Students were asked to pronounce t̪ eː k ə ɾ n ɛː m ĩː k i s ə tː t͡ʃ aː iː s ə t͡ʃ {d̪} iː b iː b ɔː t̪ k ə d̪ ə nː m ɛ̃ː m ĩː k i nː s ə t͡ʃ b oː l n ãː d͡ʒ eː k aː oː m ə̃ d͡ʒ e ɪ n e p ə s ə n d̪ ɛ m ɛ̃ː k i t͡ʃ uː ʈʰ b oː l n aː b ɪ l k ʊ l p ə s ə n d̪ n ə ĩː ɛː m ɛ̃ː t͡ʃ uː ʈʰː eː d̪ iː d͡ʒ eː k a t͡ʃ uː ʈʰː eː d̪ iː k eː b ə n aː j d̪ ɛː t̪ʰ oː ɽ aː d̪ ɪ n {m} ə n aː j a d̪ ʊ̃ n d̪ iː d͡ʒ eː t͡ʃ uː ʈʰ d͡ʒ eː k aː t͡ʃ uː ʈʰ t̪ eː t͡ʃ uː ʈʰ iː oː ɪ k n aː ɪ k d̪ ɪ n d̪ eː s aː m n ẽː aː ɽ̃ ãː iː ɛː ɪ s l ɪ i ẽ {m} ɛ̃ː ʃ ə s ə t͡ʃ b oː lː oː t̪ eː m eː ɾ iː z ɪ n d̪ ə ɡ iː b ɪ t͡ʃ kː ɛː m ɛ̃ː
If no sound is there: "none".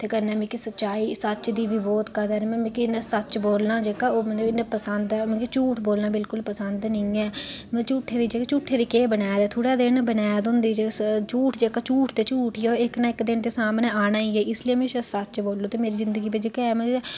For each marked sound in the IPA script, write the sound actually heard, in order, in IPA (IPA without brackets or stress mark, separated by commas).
d̪, b, m